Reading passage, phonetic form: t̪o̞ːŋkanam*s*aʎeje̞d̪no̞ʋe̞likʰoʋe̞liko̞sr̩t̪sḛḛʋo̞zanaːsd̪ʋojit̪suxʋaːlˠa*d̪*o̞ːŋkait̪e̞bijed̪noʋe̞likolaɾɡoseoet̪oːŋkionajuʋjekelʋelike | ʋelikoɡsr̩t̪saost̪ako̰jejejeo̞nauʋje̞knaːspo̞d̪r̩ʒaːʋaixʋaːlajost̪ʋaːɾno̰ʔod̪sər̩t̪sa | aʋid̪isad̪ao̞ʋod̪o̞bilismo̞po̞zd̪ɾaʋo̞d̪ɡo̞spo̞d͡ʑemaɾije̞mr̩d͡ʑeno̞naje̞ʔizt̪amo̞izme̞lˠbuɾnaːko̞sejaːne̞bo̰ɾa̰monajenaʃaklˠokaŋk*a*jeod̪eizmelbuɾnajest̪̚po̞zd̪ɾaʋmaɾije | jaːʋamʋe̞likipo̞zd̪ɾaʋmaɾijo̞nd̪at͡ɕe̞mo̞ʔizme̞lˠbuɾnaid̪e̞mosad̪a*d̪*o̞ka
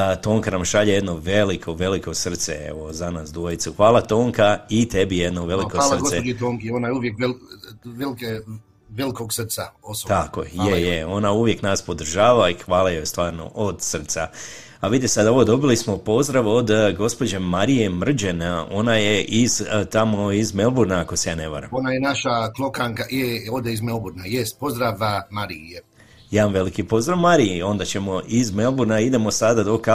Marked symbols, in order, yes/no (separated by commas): no, no, yes, yes